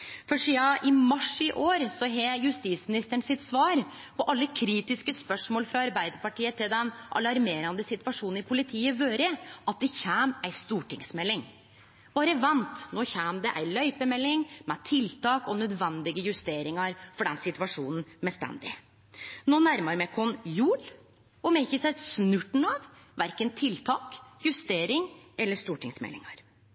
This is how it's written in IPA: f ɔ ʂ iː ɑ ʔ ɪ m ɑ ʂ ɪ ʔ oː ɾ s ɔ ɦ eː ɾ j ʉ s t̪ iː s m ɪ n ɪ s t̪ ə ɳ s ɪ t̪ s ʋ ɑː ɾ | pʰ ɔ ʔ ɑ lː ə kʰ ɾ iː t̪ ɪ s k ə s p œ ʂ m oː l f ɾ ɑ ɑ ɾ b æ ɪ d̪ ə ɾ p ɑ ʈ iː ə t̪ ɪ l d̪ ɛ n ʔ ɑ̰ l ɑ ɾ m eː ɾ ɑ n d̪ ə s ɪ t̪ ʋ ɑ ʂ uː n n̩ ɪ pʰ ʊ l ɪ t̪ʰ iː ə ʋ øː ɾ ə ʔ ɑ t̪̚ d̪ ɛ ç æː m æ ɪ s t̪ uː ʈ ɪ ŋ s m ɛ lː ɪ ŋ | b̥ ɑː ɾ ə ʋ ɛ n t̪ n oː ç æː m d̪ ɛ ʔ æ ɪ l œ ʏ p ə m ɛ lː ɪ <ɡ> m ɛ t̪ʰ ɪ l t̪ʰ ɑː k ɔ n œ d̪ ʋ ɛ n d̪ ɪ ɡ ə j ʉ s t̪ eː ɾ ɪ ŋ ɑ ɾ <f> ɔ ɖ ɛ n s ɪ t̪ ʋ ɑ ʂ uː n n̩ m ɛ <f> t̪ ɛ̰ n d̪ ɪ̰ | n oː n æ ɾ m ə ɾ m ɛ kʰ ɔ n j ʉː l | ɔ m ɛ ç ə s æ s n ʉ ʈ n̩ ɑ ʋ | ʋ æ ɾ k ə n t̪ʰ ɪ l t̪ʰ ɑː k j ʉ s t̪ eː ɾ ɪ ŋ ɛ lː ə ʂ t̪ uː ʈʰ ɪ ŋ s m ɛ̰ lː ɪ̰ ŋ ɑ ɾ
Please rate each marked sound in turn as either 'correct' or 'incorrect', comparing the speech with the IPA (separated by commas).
incorrect, correct, incorrect